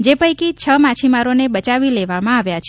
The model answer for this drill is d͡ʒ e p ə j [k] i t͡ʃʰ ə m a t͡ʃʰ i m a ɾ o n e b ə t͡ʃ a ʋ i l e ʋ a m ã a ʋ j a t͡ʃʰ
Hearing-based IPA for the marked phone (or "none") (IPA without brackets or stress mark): k